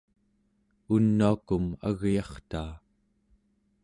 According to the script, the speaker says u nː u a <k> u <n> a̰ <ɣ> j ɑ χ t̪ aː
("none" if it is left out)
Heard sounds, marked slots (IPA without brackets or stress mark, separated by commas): k, m, ɣ